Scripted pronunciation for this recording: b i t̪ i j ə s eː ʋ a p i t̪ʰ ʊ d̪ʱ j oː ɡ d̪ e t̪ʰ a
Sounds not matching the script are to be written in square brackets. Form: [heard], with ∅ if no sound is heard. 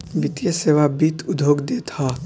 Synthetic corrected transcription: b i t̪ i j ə s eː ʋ a [b] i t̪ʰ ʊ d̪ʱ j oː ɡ d̪ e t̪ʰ a